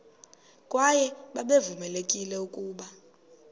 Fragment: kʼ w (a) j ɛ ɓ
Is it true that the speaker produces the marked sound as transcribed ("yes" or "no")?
yes